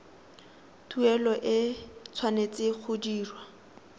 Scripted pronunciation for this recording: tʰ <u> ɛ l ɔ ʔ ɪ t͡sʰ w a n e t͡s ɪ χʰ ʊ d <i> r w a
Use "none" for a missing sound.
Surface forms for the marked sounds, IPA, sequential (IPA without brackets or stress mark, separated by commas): u, iː